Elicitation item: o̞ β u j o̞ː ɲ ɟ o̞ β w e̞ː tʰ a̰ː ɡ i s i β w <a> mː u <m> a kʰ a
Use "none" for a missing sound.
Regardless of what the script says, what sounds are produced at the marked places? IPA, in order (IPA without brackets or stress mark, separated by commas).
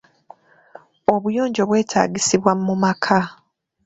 a, m